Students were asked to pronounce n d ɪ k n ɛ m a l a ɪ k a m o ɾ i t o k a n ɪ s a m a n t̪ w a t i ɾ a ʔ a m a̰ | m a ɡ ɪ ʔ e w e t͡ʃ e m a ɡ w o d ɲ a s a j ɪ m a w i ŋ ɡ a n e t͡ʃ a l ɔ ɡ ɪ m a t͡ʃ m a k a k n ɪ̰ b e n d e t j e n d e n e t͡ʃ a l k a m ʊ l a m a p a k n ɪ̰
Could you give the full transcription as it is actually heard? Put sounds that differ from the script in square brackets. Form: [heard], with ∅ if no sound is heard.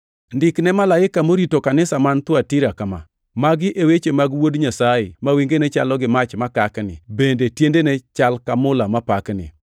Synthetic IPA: n d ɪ k n ɛ m a l a ɪ k a m o ɾ i t o k a n ɪ s a m a n t̪ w a t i ɾ a [k] a m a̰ | m a ɡ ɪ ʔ e w e t͡ʃ e m a ɡ w o d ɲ a s a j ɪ m a w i ŋ ɡ [e] n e t͡ʃ a l ɔ ɡ ɪ m a t͡ʃ m a k a k n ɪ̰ b e n d e t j e n d e n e t͡ʃ a l k a m ʊ l a m a p a k n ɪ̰